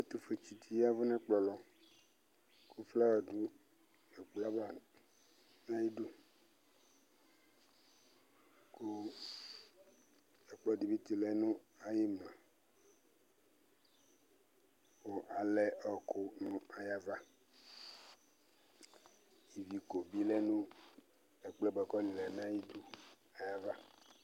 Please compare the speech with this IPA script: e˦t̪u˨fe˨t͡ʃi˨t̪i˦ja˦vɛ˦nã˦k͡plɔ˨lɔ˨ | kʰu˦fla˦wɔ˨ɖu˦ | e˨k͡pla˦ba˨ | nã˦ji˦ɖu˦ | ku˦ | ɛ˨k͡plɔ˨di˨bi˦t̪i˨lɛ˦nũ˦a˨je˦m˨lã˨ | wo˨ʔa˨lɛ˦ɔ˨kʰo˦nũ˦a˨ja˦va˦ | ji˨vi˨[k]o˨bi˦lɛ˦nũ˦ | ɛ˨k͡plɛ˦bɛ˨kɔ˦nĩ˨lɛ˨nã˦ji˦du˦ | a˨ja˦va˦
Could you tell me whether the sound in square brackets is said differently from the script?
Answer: no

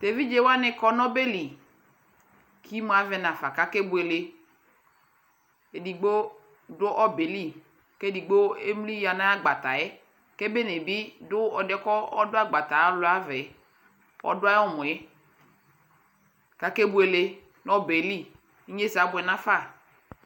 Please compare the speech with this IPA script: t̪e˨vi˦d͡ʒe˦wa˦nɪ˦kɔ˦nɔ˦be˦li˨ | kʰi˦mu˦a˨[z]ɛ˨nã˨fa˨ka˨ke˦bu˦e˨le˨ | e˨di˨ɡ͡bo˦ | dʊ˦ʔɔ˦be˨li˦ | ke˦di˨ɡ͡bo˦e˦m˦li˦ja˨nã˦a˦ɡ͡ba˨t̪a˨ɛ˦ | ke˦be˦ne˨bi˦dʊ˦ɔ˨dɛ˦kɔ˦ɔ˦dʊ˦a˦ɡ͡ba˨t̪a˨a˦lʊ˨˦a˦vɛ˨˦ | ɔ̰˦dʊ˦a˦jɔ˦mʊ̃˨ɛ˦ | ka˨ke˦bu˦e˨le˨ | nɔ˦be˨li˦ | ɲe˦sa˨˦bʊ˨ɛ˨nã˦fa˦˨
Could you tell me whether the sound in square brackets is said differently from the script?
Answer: yes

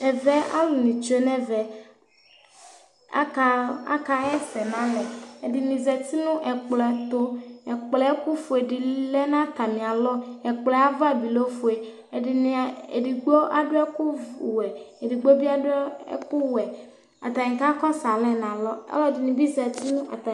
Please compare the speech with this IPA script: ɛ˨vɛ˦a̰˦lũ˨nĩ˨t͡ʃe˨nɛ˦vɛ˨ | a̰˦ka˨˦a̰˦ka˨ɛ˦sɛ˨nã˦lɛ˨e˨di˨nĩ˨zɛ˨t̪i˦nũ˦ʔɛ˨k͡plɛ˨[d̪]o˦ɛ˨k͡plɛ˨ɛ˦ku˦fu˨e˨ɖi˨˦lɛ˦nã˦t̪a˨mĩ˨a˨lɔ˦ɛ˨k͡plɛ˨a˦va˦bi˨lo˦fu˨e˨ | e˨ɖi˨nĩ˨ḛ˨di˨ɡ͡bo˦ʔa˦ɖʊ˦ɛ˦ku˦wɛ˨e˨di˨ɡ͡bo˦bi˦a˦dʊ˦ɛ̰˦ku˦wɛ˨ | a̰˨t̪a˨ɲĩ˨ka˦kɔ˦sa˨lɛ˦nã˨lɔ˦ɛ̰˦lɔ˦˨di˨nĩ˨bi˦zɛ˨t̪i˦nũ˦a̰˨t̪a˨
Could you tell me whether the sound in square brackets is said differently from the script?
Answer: yes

